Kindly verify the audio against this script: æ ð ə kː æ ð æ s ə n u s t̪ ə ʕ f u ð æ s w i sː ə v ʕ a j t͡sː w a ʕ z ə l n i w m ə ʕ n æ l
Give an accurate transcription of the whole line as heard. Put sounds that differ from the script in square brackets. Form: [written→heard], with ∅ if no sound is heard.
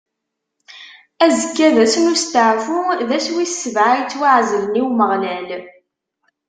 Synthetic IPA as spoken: æ [ð→z] ə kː æ ð æ s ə n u s t̪ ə ʕ f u ð æ s w i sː ə v ʕ a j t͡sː w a ʕ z ə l n i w m ə [ʕ→ʁ] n æ l

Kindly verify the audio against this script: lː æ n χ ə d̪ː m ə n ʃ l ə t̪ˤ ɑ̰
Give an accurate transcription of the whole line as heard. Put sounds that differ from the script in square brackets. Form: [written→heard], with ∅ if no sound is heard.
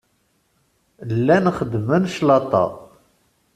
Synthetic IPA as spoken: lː æ n χ ə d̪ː m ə n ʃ l [ə→ɑ] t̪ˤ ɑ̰

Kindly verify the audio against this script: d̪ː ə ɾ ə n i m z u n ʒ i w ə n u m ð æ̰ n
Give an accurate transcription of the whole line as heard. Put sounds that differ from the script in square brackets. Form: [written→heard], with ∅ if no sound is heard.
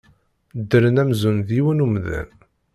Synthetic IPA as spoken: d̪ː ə ɾ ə n [i→æ] m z u n [ʒ→ð] i w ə n u m ð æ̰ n

